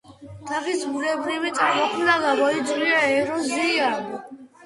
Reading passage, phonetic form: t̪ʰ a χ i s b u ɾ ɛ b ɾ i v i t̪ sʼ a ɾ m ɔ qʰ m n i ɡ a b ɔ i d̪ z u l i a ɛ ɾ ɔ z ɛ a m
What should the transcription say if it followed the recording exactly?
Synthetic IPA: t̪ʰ a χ i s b u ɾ ɛ b ɾ i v i t̪ sʼ a ɾ m ɔ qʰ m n a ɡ a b ɔ i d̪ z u l i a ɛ ɾ ɔ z i a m